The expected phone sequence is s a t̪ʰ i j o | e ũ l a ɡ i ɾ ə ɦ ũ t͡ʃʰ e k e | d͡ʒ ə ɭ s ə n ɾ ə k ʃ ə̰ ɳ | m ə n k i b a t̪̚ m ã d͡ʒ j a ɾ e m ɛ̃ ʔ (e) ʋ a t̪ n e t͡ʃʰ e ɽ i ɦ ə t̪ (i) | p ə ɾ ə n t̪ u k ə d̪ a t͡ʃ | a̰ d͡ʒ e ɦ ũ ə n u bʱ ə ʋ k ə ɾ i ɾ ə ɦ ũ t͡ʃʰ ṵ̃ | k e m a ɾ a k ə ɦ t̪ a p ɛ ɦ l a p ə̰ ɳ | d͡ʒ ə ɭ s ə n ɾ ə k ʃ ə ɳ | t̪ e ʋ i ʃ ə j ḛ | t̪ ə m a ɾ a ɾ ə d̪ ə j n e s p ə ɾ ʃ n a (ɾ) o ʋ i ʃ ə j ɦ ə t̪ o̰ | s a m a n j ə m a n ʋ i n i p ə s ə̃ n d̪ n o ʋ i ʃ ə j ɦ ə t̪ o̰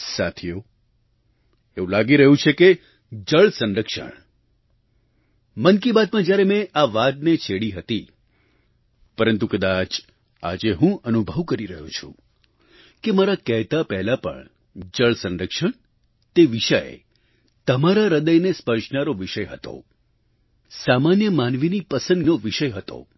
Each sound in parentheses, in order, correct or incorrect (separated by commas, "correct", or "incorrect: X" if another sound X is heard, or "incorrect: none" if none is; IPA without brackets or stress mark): incorrect: a, correct, correct